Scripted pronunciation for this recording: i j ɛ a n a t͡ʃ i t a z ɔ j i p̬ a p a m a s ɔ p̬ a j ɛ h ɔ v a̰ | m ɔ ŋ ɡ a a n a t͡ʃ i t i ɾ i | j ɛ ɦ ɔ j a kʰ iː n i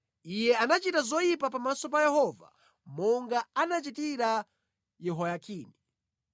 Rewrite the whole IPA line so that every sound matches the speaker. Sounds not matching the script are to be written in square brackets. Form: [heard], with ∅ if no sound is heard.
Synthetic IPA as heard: i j ɛ a n a t͡ʃ i t a z ɔ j i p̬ a p a m a s ɔ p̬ a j ɛ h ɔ v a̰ | m ɔ ŋ ɡ a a n a t͡ʃ i t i ɾ [a] | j ɛ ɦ ɔ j a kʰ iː n i